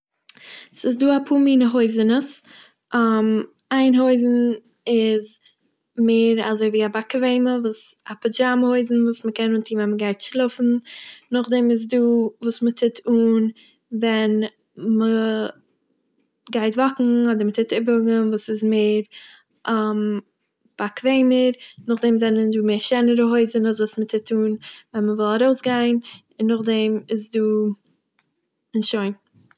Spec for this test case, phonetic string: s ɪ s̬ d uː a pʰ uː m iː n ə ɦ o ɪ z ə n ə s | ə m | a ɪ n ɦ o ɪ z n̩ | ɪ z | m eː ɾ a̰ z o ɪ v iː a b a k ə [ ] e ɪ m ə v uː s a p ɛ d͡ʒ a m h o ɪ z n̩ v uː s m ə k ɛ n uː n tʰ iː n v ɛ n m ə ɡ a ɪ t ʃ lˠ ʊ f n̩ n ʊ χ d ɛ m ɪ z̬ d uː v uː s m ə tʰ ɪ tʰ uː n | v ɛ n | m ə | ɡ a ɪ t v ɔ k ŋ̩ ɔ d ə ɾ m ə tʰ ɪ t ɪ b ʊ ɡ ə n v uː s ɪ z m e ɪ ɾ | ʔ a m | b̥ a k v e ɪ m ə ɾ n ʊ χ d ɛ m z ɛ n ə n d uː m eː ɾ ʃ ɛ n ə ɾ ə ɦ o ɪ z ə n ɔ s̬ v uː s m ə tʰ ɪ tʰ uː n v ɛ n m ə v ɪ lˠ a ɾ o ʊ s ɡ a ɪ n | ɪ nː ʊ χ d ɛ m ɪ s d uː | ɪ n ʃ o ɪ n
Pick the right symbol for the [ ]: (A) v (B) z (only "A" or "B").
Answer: A